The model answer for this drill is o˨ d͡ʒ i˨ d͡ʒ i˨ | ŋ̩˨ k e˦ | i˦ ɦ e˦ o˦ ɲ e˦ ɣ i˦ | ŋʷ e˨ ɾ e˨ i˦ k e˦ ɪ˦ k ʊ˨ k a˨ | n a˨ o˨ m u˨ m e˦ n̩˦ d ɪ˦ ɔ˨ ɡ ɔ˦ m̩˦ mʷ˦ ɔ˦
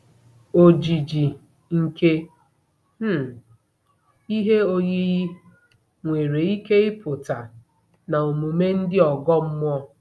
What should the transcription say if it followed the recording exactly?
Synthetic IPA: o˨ d͡ʒ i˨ d͡ʒ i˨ | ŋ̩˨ k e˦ | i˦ ɦ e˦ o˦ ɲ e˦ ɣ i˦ | ŋʷ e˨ ɾ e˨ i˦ k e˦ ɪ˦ p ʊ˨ t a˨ | n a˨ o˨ m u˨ m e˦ n̩˦ d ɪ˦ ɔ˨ ɡ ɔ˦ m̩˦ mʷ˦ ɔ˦